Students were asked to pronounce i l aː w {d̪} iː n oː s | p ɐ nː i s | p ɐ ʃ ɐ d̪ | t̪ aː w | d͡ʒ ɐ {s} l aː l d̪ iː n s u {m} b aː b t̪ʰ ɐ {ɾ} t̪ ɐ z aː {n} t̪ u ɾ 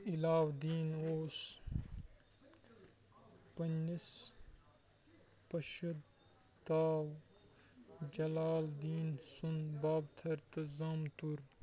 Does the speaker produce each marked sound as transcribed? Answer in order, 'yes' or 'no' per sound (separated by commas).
yes, no, no, yes, no